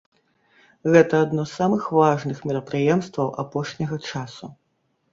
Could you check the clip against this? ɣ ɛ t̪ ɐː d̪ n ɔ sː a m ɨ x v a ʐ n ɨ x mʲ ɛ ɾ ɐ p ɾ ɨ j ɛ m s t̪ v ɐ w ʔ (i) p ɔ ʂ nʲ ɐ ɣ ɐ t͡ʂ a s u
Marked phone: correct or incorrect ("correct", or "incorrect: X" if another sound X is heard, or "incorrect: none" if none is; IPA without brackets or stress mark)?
incorrect: a